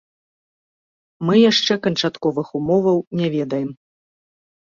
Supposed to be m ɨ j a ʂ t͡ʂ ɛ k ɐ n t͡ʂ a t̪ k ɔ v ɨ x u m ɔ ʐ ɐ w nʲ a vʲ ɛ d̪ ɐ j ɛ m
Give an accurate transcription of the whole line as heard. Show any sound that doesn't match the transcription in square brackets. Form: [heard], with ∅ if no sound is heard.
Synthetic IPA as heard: m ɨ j a ʂ t͡ʂ ɛ k ɐ n t͡ʂ a t̪ k ɔ v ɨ x u m ɔ [v] ɐ w nʲ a vʲ ɛ d̪ ɐ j ɛ m